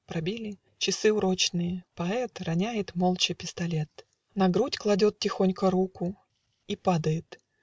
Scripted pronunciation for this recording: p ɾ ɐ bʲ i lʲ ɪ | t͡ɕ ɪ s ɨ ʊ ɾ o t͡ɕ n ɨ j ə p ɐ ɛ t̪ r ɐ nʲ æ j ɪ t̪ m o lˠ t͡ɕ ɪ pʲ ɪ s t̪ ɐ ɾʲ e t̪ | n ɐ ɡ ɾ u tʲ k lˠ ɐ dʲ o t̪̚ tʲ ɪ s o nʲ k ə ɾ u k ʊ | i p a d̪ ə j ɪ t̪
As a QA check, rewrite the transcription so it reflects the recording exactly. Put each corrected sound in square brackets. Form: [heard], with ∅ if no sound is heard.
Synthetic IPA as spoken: p ɾ ɐ bʲ i lʲ ɪ | t͡ɕ ɪ s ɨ ʊ ɾ o t͡ɕ n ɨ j ə p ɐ ɛ t̪ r ɐ nʲ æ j ɪ t̪ m o lˠ t͡ɕ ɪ pʲ ɪ s t̪ ɐ [lʲ] e t̪ | n ɐ ɡ ɾ u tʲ k lˠ ɐ dʲ o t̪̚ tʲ ɪ [x] o nʲ k ə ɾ u k ʊ | i p a d̪ ə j ɪ t̪